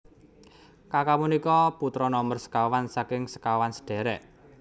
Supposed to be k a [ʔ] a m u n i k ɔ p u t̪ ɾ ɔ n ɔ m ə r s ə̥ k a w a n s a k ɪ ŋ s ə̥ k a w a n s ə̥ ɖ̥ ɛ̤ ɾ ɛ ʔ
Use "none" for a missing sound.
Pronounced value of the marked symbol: k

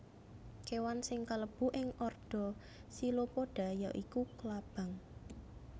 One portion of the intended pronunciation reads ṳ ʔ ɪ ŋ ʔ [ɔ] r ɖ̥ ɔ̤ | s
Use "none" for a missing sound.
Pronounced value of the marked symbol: ɔ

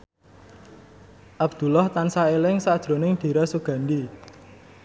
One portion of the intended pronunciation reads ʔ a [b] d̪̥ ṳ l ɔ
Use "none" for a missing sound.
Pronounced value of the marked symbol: b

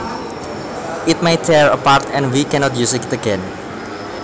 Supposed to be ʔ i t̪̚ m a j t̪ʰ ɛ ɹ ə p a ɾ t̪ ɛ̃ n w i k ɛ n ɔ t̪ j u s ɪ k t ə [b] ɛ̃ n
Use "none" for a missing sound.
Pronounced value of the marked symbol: ɡ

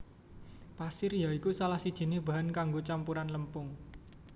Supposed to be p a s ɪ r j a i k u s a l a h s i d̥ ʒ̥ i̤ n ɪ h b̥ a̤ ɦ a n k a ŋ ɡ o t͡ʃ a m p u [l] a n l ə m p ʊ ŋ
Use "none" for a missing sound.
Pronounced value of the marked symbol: ɾ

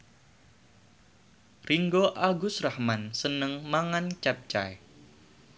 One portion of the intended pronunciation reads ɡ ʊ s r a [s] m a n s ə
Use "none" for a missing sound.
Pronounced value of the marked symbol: h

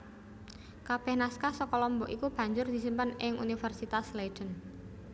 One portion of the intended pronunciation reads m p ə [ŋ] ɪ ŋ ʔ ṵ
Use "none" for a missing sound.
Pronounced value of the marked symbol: n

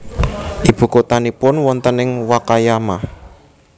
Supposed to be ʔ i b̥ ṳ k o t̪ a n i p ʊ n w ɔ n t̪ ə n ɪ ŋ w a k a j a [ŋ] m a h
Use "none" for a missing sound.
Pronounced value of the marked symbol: none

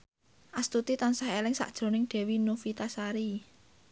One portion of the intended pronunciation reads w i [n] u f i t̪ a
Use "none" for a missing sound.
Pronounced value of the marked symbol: n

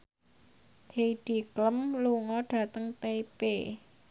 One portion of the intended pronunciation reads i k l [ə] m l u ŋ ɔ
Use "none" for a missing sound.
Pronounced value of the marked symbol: ə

